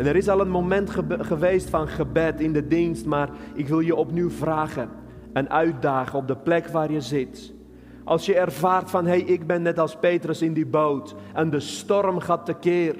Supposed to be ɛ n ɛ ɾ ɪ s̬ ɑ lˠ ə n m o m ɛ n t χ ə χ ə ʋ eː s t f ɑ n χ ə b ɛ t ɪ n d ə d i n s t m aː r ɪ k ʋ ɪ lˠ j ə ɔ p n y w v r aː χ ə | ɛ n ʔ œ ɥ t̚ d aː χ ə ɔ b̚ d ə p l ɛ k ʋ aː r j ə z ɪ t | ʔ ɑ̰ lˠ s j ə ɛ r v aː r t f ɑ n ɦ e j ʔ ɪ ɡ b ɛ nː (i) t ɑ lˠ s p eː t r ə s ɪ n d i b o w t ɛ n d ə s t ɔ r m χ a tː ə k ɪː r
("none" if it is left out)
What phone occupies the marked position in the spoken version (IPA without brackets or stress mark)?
ɛ